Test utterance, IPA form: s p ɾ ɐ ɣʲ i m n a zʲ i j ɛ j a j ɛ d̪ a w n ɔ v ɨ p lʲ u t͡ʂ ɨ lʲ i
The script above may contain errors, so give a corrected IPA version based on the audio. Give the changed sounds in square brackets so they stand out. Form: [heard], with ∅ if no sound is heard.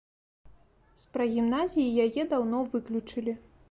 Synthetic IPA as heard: s p ɾ ɐ ɣʲ i m n a zʲ i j [i] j a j ɛ d̪ a w n ɔ v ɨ [k] lʲ u t͡ʂ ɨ lʲ i